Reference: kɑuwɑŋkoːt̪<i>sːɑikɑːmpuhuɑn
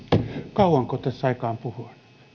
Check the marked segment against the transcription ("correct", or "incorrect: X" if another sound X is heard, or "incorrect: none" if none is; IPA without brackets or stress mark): incorrect: æ